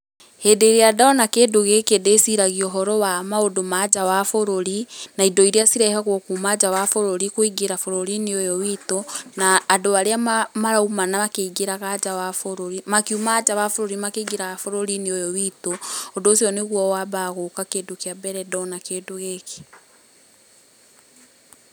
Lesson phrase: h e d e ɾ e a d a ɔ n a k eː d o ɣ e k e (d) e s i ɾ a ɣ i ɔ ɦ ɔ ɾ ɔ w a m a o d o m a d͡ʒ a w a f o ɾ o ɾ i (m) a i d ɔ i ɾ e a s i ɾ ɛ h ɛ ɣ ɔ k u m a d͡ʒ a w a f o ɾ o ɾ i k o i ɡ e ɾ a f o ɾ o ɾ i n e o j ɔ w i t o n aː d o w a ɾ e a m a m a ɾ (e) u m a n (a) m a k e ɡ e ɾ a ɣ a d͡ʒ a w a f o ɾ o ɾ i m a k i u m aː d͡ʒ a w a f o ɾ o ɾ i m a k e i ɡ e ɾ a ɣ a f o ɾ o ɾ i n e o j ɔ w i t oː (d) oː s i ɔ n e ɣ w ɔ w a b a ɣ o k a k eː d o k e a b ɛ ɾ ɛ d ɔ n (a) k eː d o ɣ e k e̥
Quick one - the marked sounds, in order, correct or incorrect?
correct, incorrect: n, incorrect: a, correct, correct, correct

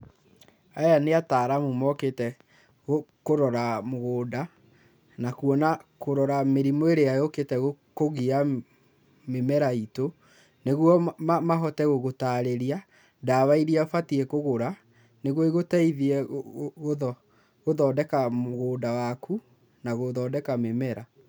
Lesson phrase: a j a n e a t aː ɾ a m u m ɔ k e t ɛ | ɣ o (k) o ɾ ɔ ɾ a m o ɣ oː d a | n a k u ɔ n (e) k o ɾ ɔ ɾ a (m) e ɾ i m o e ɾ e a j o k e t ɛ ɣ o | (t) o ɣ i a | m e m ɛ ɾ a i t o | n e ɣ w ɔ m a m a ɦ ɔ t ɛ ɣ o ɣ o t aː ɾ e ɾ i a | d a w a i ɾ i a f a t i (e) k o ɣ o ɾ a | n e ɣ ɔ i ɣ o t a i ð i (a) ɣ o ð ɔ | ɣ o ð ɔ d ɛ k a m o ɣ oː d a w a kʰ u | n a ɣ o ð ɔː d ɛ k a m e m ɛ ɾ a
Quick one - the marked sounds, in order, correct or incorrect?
correct, incorrect: a, correct, incorrect: k, incorrect: ɛ, incorrect: ɛ

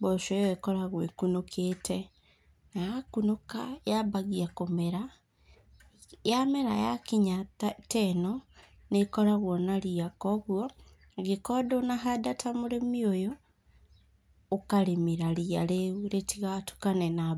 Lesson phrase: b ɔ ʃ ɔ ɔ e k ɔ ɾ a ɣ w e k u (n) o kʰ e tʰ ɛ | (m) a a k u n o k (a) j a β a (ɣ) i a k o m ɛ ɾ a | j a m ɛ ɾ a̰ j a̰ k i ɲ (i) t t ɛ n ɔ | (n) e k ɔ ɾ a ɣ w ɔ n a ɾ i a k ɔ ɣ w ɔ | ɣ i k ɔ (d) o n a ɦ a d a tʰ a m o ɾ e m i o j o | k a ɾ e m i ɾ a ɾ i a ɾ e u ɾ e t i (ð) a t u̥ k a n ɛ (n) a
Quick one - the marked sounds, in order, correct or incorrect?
correct, incorrect: n, correct, correct, incorrect: a, correct, correct, incorrect: ɣ, correct

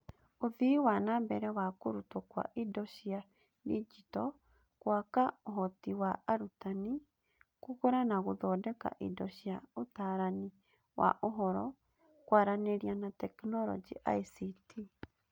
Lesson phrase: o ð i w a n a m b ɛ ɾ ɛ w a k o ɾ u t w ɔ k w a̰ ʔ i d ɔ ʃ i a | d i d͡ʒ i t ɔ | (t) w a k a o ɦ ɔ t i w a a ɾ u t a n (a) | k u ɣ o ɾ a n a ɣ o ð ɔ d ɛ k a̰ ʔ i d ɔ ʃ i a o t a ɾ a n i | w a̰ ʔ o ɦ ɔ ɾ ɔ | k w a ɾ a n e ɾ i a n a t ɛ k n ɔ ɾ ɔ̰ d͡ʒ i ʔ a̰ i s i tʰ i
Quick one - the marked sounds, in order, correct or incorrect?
incorrect: k, incorrect: i

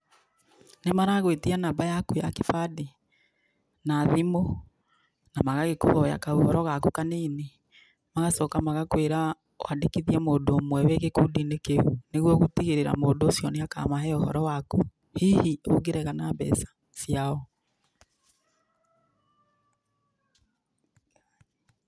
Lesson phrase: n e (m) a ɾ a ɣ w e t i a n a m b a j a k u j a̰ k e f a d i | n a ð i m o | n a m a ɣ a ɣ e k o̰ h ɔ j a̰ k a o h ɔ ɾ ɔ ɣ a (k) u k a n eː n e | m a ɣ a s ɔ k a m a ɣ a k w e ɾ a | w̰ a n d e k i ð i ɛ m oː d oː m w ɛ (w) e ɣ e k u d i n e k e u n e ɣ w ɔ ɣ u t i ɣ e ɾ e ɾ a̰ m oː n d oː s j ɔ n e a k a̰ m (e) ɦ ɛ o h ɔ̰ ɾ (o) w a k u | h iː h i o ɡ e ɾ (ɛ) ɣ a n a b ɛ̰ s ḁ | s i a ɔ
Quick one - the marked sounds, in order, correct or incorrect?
correct, correct, correct, incorrect: a, incorrect: ɔ, correct

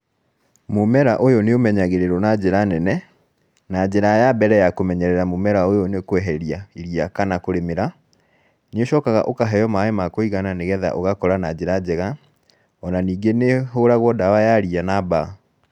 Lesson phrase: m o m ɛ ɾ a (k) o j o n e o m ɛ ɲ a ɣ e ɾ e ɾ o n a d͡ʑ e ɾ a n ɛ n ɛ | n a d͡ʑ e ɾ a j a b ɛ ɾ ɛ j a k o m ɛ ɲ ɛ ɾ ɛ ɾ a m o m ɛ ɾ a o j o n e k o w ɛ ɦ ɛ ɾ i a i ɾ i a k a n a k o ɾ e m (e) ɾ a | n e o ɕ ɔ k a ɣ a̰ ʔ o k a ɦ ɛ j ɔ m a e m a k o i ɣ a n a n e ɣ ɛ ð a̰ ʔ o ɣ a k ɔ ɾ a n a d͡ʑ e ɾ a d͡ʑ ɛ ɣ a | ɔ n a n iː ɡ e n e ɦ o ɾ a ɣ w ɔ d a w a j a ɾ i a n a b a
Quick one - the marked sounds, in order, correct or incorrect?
incorrect: ʔ, correct

